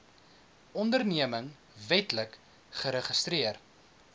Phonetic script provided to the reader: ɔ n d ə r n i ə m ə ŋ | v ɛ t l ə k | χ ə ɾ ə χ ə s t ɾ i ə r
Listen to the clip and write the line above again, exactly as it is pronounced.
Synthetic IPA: ɔ n d ə r n i ə m ə ŋ | v ɛ t l ə k | χ ə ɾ ə χ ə s t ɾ i ə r